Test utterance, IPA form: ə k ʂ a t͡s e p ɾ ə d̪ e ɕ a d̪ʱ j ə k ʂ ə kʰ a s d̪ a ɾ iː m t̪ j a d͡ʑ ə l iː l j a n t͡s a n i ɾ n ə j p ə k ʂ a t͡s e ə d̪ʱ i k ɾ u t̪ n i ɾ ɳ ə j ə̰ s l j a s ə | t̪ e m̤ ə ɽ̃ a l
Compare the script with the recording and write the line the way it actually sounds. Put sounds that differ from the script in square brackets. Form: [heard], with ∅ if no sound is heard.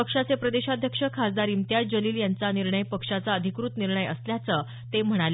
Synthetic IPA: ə k ʂ a t͡s e p ɾ ə d̪ e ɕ a d̪ʱ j ə k ʂ ə kʰ a s d̪ a ɾ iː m t̪ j a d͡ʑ ə l iː l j a n t͡s a n i ɾ [ɳ] ə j p ə k ʂ a t͡s [a] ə d̪ʱ i k ɾ u t̪ n i ɾ ɳ ə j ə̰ s l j a [t͡s] ə | t̪ e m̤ ə ɽ̃ a l